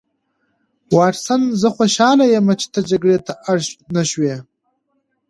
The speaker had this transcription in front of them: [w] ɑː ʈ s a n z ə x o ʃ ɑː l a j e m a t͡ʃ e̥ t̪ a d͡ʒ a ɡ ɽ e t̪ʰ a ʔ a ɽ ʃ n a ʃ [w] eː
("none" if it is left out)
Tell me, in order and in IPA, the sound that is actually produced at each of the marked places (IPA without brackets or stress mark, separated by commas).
w, w